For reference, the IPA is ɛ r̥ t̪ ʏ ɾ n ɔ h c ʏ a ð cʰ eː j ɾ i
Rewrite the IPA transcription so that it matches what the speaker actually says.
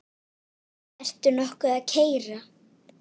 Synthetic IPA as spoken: ɛ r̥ t̪ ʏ ɾ n ɔ h k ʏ a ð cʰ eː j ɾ a